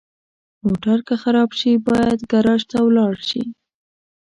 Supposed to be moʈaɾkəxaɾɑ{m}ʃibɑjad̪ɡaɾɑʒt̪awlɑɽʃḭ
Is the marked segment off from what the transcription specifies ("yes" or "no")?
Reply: yes